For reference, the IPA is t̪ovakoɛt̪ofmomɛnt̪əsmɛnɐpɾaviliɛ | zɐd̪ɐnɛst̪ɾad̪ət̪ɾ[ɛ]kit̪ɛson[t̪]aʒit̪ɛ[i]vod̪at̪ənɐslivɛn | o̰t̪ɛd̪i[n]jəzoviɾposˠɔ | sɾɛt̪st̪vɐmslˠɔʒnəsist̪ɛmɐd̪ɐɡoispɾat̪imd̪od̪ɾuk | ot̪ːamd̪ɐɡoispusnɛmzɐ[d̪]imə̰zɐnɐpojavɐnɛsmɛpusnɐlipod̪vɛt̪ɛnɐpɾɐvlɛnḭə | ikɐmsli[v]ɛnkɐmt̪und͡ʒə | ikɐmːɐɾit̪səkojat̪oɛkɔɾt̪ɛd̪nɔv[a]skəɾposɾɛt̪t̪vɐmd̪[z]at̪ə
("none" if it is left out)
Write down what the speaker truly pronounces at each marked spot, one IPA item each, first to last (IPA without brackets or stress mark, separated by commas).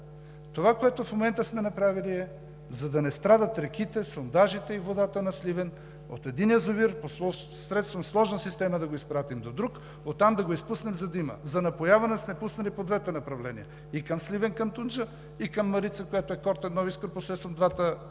ɛ, d̪, i, n, d̪, v, i, v